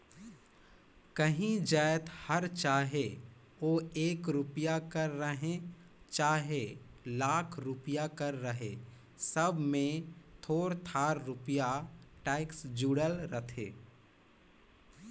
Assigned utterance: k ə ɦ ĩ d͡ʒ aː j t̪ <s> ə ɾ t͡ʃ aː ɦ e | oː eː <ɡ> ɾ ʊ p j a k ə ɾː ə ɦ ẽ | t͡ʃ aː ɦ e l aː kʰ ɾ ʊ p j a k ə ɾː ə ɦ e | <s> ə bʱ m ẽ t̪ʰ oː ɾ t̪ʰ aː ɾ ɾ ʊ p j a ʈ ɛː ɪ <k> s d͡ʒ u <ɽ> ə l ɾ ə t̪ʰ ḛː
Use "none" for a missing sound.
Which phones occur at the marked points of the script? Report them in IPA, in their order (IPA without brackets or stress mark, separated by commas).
h, k, s, k, ɽ